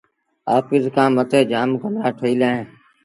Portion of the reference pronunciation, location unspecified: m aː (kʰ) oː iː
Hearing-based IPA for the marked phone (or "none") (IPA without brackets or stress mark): ʈʰ